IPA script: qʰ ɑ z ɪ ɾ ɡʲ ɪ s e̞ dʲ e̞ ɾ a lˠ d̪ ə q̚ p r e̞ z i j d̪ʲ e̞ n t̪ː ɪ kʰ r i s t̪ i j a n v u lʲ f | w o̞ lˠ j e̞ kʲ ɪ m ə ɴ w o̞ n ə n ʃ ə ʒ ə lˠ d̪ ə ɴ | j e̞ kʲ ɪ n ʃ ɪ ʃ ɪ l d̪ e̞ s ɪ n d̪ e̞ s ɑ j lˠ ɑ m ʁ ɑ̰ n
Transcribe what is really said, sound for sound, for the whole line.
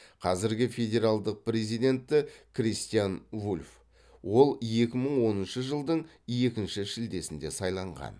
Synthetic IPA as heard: qʰ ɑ z ɪ ɾ ɡʲ ɪ f e̞ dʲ e̞ ɾ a lˠ d̪ ə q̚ p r e̞ z i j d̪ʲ e̞ n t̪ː ɪ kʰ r i s t̪ i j a n v u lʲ f | w o̞ lˠ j e̞ kʲ ɪ m ə ɴ w o̞ n ə n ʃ ə ʒ ə lˠ d̪ ə ɴ | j e̞ kʲ ɪ n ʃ ɪ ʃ ɪ l d̪ e̞ s ɪ n d̪ e̞ s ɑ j lˠ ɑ ɴ ʁ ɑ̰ n